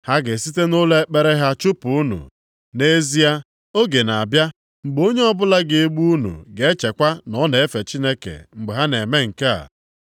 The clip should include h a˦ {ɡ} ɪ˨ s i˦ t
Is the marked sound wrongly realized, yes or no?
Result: no